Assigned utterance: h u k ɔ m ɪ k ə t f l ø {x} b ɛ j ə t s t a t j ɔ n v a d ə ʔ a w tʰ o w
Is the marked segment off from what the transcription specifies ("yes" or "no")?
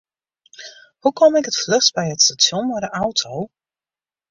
yes